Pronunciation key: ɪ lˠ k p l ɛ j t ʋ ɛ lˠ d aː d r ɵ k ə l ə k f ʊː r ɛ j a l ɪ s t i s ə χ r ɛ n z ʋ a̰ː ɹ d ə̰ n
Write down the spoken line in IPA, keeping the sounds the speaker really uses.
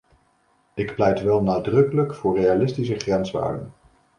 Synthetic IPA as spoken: ɪ k p l ɛ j t ʋ ɛ lˠ n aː d r ɵ k ə l ə k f ʊː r e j a l ɪ s t i s ə χ r ɛ n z ʋ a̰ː ɹ d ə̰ n